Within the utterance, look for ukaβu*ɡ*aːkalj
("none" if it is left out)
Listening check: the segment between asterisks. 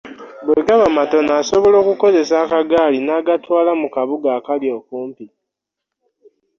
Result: ɡ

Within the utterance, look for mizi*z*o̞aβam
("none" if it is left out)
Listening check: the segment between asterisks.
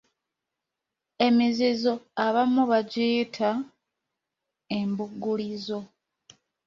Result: z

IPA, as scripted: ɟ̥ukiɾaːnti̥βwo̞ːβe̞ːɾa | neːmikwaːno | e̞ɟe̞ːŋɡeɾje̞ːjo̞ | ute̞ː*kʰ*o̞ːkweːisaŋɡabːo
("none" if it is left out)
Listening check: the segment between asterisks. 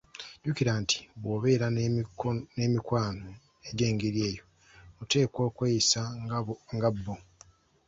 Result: k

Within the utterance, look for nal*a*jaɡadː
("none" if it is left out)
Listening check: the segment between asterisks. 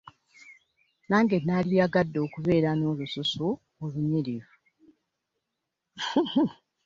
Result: i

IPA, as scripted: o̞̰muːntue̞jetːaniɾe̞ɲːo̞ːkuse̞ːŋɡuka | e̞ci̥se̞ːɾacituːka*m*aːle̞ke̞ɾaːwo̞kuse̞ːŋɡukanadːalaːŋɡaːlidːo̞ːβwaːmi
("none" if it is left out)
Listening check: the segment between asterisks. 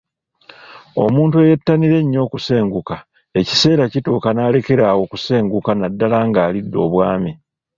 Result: n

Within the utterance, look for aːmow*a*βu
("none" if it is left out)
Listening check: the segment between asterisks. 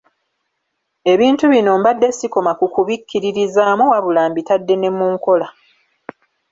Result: a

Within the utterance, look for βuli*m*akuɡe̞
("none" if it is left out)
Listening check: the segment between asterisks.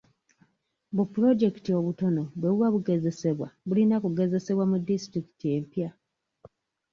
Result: n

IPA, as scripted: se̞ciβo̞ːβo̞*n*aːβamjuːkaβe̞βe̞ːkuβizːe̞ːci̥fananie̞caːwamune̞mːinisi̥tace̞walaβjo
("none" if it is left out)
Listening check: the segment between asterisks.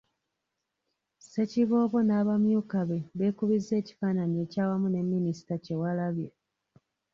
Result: n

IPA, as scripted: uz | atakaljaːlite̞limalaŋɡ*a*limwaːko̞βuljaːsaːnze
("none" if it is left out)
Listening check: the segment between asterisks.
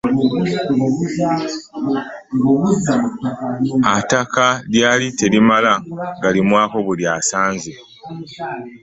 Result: a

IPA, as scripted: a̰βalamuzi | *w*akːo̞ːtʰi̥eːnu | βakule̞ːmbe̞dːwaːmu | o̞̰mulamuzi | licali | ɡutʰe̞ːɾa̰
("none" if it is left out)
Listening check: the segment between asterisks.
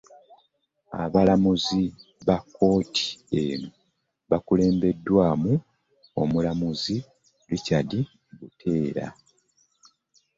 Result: β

